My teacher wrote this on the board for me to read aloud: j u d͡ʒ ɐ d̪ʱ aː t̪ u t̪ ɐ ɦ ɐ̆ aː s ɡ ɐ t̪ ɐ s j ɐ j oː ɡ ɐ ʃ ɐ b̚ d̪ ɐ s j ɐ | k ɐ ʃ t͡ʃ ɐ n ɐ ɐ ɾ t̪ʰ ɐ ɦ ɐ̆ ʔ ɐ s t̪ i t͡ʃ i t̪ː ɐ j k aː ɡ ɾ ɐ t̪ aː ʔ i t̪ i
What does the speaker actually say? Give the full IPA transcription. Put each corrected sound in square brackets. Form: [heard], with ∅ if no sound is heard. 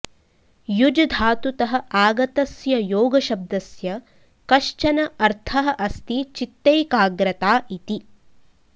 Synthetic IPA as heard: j u d͡ʒ ɐ d̪ʱ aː t̪ u t̪ ɐ ɦ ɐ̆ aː [∅] ɡ ɐ t̪ ɐ s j ɐ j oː ɡ ɐ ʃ ɐ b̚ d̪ ɐ s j ɐ | k ɐ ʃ t͡ʃ ɐ n ɐ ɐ ɾ t̪ʰ ɐ ɦ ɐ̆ ʔ ɐ s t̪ i t͡ʃ i t̪ː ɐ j k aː ɡ ɾ ɐ t̪ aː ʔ i t̪ i